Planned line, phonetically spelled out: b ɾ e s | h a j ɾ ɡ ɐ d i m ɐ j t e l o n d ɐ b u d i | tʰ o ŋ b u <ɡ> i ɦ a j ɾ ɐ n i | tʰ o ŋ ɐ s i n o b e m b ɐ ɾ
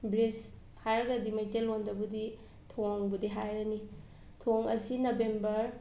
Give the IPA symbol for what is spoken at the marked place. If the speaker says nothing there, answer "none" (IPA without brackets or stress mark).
d